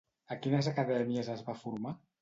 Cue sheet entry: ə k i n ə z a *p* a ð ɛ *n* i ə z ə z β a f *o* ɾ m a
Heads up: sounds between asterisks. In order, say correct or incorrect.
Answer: incorrect: k, incorrect: m, incorrect: u

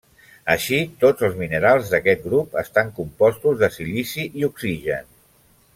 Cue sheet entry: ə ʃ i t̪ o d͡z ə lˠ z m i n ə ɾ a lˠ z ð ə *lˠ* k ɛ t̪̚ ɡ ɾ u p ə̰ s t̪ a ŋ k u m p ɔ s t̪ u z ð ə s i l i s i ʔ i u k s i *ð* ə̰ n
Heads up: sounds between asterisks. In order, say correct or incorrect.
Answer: incorrect: none, incorrect: ʒ

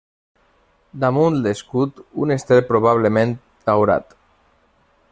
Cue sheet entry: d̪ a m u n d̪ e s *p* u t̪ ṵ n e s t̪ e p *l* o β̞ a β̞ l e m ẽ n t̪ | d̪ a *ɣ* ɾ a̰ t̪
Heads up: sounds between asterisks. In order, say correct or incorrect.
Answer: incorrect: k, incorrect: ɾ, incorrect: w

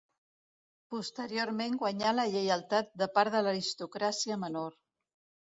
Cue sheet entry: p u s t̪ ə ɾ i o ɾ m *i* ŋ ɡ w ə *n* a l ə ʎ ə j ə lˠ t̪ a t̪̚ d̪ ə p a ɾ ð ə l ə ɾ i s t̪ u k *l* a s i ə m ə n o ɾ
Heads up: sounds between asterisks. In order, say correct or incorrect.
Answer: incorrect: e, incorrect: ɲ, incorrect: ɾ

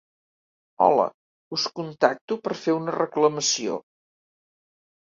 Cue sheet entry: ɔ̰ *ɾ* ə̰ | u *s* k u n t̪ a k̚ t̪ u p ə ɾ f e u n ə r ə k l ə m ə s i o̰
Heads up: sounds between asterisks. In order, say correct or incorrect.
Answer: incorrect: l, correct

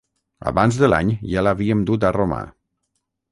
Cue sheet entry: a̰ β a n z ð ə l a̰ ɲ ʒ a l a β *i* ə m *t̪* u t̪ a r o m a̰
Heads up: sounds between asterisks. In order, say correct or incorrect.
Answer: correct, incorrect: d̪

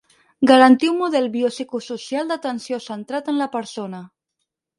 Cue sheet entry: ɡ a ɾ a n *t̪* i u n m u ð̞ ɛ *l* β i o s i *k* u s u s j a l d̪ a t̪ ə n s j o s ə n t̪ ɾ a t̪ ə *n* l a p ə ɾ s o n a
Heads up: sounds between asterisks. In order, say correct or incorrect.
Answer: correct, correct, correct, correct

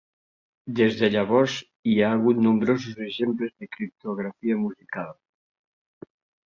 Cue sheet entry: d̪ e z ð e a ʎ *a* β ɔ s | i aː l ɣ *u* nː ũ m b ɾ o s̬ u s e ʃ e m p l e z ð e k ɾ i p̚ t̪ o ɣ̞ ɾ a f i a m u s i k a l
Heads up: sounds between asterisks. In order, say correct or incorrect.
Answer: correct, correct

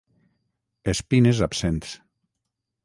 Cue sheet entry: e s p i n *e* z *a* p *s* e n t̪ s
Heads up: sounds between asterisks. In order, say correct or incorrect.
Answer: correct, correct, correct

